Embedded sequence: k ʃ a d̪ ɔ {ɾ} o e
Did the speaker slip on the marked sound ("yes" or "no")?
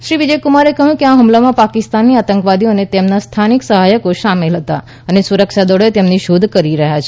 yes